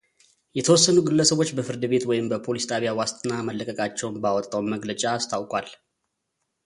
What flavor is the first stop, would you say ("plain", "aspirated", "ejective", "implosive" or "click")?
aspirated